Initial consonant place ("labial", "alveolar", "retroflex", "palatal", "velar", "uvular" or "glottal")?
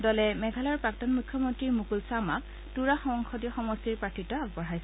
alveolar